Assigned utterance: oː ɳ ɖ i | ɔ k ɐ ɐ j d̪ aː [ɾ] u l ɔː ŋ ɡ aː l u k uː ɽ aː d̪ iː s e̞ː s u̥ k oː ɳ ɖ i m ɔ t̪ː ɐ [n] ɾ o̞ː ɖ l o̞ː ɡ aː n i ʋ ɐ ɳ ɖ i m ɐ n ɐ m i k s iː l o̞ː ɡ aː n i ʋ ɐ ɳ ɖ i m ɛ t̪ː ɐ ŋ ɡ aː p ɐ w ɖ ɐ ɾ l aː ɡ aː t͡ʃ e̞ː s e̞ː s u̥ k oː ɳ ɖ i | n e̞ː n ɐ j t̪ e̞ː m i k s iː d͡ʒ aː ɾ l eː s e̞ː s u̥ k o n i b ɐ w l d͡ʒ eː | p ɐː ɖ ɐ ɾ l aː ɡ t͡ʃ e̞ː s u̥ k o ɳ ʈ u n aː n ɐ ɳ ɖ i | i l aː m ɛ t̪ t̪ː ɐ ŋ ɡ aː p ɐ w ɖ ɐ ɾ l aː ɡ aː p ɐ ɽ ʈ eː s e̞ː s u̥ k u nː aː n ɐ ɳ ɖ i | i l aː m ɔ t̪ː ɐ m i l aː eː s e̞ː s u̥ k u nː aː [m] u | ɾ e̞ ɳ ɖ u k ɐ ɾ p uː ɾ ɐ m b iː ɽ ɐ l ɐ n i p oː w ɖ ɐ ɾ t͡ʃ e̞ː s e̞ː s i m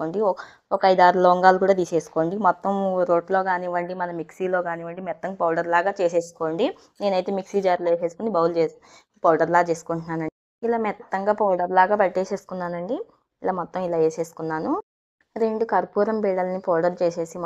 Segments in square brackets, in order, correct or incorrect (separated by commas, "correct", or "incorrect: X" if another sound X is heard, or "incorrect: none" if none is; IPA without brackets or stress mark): correct, incorrect: m, incorrect: n